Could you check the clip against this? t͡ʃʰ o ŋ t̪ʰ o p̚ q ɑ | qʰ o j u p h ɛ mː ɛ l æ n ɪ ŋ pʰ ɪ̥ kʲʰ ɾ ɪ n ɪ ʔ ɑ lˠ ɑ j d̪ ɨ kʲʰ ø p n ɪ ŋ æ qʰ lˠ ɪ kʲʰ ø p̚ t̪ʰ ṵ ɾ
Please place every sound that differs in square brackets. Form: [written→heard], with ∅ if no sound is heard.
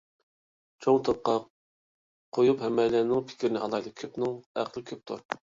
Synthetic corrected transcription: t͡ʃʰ o ŋ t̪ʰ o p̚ q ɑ | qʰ o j u p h ɛ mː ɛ l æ n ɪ ŋ pʰ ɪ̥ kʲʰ ɾ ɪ n ɪ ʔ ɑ lˠ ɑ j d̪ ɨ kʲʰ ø p n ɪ ŋ æ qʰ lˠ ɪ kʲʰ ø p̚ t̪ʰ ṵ ɾ